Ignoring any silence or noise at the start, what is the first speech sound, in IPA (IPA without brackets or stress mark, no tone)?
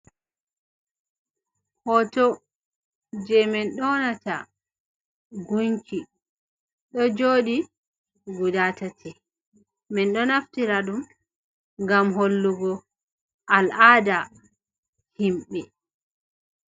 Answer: h